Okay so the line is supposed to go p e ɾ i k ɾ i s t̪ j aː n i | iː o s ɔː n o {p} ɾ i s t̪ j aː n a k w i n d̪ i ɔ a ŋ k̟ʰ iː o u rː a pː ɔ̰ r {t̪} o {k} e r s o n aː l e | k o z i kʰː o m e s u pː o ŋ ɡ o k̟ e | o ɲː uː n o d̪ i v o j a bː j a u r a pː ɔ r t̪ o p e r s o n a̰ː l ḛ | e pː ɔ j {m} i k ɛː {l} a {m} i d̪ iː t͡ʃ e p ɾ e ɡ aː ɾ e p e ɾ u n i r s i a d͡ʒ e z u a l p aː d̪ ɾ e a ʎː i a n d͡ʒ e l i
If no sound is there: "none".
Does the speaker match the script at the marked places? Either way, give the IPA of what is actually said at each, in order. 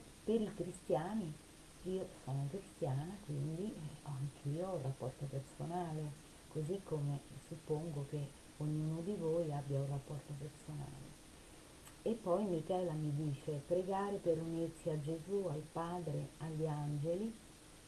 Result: k, t̪, p, m, l, m

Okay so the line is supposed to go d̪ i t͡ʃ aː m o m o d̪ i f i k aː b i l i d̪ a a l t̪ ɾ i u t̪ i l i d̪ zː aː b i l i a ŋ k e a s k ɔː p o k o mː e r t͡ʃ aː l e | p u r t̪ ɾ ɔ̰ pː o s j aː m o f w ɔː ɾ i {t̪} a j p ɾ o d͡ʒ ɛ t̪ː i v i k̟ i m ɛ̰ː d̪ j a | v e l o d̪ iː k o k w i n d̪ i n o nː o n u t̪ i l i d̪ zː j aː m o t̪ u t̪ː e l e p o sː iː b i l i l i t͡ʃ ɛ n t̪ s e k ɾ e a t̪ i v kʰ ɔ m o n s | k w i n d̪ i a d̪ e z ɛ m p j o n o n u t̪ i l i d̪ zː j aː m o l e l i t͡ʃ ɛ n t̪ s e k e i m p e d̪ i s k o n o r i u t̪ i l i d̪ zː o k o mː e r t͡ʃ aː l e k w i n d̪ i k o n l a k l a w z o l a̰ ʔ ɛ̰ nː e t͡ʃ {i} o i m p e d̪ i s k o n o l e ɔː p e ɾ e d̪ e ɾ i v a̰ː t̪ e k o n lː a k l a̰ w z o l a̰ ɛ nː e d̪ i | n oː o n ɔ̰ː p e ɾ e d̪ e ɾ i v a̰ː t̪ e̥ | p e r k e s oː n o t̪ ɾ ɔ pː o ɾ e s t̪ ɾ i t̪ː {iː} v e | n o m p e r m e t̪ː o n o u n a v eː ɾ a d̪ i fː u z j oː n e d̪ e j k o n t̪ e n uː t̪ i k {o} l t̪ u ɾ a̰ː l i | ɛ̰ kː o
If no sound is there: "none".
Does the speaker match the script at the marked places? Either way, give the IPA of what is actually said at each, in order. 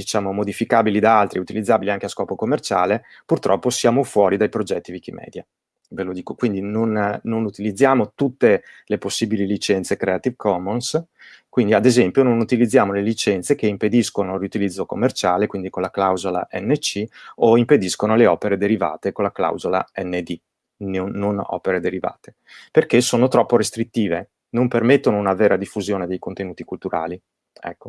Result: d̪, i, iː, u

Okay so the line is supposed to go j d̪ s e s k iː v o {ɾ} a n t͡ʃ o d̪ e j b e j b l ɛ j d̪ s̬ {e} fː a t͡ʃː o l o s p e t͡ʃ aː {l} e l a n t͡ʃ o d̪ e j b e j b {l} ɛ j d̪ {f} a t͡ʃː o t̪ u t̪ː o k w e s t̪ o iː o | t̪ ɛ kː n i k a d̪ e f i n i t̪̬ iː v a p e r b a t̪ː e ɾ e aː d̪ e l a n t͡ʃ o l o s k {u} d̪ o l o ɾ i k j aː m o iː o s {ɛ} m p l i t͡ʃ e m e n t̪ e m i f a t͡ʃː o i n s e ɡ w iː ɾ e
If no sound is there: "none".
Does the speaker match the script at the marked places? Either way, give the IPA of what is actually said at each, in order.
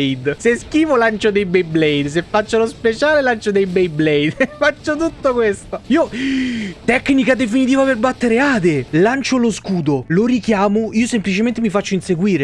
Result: l, e, l, l, f, uː, e

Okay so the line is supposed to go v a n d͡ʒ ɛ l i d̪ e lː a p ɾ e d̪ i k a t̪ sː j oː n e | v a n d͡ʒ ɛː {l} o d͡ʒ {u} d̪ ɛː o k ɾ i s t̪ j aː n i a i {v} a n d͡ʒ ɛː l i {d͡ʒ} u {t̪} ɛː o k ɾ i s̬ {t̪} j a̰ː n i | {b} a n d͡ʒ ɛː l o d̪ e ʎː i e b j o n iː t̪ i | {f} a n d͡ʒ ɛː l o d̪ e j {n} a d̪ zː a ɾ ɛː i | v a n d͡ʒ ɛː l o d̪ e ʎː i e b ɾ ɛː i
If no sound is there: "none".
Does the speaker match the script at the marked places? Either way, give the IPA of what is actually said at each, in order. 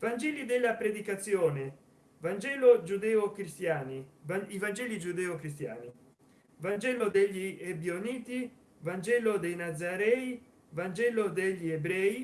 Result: l, u, v, d͡ʒ, d̪, t̪, v, v, n

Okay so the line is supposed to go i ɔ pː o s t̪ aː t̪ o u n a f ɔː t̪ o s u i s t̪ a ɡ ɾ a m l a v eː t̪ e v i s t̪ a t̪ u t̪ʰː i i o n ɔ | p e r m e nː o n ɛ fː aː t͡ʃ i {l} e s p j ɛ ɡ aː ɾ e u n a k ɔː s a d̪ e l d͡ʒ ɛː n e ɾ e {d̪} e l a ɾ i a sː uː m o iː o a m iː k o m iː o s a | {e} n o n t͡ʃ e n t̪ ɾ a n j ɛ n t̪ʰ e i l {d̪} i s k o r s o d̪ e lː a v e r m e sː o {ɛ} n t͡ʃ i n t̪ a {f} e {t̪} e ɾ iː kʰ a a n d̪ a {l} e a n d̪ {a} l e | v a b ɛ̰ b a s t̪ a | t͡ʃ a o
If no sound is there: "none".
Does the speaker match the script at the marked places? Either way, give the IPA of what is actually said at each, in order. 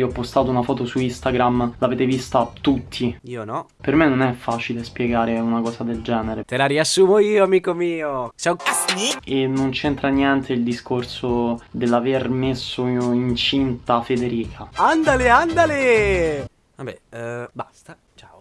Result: l, t̪, e, d̪, i, f, d̪, l, a

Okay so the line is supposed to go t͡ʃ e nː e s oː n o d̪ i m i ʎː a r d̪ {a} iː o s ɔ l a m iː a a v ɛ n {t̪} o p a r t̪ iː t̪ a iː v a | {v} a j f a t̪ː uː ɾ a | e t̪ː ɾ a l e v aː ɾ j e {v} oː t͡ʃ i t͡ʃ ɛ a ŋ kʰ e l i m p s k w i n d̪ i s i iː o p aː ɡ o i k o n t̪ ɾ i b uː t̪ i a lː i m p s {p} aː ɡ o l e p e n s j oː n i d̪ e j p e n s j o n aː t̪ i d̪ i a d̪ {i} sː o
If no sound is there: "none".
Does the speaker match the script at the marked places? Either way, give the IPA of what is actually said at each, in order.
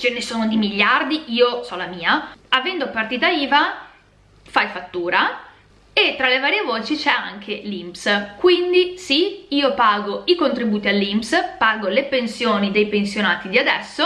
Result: i, d̪, f, v, p, ɛ

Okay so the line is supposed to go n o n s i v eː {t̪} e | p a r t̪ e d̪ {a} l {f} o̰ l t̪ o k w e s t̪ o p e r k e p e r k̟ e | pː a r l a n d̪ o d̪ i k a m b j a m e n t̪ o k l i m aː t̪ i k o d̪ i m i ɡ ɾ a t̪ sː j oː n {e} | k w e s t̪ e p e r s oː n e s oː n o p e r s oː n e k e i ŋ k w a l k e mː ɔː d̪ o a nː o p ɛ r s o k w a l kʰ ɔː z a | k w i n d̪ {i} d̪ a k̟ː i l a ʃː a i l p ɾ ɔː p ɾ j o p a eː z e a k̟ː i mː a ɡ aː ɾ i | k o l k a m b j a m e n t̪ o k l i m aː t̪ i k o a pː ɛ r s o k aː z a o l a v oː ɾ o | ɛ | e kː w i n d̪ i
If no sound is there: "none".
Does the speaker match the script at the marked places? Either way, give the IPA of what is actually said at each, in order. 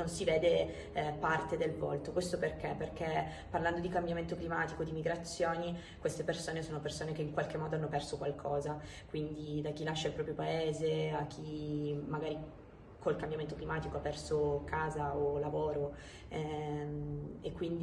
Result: d̪, e, v, i, i

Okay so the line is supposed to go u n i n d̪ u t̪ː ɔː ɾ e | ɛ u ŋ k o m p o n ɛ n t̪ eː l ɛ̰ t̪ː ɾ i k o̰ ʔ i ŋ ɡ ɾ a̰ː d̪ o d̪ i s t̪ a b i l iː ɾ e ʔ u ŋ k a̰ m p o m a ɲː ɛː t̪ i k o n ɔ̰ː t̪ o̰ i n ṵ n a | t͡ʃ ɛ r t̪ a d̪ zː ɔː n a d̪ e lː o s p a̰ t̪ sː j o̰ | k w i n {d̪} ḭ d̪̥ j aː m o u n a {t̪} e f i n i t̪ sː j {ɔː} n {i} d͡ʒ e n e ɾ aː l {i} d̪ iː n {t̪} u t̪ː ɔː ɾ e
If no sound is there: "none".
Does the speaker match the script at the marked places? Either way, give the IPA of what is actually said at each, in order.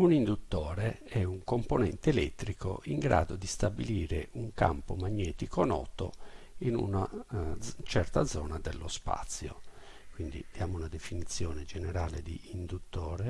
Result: d̪, d̪, ɔː, e, e, d̪

